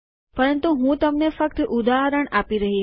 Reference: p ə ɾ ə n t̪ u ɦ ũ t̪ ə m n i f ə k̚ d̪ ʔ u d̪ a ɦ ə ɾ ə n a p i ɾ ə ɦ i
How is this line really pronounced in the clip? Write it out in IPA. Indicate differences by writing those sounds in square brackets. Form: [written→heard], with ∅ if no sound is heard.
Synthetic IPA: p ə ɾ ə n t̪ u ɦ ũ t̪ ə m n [i→e] f ə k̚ [d̪→t̪] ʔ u d̪ a ɦ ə ɾ ə [n→ɳ] a p i ɾ ə ɦ i

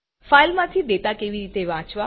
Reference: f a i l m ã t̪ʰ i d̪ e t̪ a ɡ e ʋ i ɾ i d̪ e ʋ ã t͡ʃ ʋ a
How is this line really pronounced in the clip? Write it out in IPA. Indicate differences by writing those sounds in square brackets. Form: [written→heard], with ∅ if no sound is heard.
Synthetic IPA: f a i l m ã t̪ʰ i d̪ e t̪ a [ɡ→k] e ʋ i ɾ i [d̪→t̪] e ʋ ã t͡ʃ ʋ a

